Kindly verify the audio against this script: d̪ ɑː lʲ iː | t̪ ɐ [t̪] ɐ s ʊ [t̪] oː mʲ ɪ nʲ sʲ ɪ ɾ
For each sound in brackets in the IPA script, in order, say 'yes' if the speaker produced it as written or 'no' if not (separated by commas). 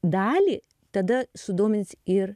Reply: no, no